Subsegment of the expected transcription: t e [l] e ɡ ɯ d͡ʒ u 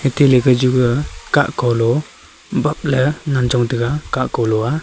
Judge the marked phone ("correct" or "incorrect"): correct